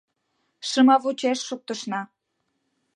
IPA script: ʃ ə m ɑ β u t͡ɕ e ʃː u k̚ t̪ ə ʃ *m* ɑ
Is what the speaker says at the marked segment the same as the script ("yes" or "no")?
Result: no